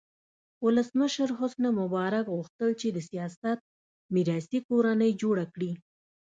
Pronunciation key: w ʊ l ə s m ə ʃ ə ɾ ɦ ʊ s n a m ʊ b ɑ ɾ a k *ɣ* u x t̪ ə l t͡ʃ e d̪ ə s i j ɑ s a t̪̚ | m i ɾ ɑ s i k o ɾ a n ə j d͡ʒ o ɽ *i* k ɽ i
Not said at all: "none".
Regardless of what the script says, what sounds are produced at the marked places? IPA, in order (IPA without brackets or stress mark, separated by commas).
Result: ɣ, a